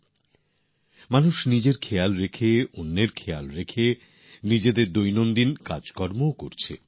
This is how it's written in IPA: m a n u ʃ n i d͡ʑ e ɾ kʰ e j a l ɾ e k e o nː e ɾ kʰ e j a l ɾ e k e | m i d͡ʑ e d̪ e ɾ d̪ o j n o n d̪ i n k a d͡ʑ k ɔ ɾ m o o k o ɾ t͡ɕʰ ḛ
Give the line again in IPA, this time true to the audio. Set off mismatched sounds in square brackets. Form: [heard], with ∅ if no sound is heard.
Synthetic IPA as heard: m a n u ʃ n i d͡ʑ e ɾ kʰ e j a l ɾ e [kʰ] e o nː e ɾ kʰ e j a l ɾ e [kʰ] e | [n] i d͡ʑ e d̪ e ɾ d̪ o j n o n d̪ i n k a d͡ʑ k ɔ ɾ m o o k o ɾ t͡ɕʰ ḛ